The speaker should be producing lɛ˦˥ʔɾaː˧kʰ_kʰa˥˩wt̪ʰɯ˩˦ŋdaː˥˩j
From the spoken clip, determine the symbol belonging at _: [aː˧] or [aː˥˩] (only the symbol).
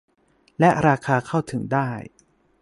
aː˧